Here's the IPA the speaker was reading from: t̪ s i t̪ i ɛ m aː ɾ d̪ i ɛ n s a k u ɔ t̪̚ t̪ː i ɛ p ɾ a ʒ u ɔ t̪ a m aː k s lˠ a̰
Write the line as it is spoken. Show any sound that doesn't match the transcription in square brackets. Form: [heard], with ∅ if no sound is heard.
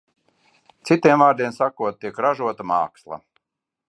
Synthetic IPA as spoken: t̪ s i t̪ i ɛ m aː ɾ d̪ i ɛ n s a k u ɔ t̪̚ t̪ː i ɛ [k] ɾ a ʒ u ɔ t̪ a m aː k s lˠ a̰